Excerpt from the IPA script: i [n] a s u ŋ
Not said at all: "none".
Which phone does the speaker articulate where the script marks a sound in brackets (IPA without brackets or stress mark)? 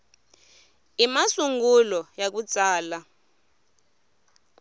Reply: m